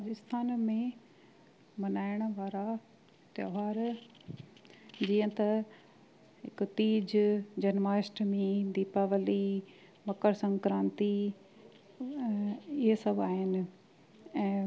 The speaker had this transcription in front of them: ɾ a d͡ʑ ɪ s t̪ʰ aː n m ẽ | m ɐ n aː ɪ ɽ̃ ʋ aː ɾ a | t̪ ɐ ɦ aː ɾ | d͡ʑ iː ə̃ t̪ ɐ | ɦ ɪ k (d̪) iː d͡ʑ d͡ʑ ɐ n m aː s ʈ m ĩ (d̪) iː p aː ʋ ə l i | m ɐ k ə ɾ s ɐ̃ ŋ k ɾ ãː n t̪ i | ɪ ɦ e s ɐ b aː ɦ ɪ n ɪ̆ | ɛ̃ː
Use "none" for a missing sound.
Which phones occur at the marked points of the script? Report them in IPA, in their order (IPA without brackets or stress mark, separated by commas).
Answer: t̪, d̪